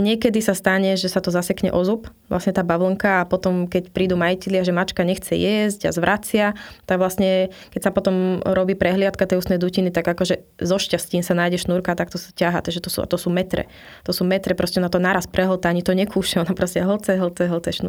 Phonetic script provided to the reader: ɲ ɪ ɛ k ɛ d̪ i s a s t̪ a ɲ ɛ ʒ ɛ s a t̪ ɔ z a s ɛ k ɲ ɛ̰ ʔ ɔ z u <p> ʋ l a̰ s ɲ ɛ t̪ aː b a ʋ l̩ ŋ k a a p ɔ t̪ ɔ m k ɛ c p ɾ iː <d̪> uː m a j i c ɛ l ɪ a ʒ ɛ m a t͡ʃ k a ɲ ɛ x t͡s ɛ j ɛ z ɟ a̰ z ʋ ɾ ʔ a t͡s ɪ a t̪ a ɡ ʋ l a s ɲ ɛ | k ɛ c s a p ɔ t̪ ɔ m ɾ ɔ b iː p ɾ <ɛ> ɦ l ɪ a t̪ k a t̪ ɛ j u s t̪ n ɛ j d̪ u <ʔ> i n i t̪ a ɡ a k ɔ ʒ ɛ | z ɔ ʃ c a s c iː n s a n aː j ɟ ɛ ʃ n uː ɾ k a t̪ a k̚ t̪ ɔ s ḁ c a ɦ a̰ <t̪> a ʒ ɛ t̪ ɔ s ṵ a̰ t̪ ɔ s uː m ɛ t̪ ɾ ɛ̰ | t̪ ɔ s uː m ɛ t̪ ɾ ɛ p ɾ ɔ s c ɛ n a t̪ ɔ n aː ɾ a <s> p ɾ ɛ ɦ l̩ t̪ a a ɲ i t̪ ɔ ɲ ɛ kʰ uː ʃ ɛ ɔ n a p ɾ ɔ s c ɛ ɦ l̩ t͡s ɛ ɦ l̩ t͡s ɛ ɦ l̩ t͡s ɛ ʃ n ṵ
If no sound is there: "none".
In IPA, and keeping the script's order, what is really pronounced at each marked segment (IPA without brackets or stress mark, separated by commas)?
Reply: p, d̪, ɛ, c, t̪, s